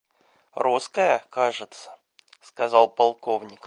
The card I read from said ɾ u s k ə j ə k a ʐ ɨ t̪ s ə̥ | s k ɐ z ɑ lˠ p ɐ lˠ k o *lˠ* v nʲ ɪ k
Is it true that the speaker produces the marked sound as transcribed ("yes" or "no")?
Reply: no